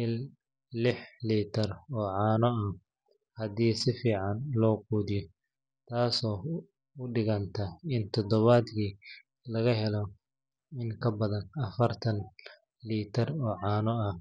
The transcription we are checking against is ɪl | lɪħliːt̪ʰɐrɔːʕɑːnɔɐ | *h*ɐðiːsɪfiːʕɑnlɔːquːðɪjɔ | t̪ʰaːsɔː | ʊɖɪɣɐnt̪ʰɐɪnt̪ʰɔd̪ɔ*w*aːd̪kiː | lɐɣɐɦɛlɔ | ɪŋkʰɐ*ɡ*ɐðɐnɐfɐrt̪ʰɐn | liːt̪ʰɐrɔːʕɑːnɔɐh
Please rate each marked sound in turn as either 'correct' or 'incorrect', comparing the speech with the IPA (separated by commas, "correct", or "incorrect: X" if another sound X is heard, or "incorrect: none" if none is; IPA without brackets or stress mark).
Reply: correct, incorrect: β, incorrect: b